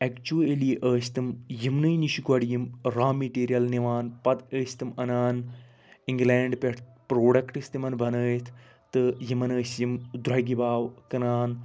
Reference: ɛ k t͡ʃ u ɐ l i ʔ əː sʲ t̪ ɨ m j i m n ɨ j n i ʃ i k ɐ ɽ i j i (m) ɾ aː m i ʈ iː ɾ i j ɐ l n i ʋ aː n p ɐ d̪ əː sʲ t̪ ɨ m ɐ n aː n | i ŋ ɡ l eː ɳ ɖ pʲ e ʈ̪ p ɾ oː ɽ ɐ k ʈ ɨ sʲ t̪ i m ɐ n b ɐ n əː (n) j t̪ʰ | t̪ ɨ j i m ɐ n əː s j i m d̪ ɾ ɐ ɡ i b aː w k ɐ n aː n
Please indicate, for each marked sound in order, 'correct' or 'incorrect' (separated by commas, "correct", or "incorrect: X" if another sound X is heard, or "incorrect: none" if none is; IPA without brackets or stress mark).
correct, incorrect: none